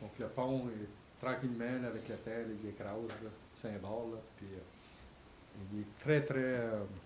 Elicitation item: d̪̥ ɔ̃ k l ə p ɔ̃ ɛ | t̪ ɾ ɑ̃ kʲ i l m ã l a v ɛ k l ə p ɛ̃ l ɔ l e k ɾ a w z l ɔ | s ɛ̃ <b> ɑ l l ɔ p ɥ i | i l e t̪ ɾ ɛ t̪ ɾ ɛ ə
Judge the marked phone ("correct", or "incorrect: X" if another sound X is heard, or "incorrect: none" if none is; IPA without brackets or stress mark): correct